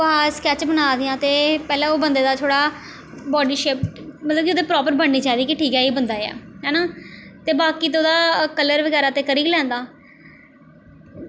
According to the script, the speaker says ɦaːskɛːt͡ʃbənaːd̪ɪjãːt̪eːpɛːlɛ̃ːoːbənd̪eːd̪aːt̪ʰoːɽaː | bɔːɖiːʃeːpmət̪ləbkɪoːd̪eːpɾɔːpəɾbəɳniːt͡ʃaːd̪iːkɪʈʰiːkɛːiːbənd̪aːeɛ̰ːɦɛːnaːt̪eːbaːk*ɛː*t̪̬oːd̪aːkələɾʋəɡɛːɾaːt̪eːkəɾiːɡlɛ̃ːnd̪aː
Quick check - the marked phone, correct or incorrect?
incorrect